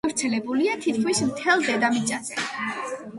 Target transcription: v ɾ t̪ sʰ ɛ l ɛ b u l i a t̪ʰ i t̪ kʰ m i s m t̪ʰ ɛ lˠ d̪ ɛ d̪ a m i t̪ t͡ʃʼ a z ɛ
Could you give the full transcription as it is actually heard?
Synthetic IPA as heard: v ɾ t̪ sʰ ɛ l ɛ b u l i a t̪ʰ i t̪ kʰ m i s m t̪ʰ ɛ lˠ d̪ ɛ d̪ a m i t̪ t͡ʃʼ a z ɛ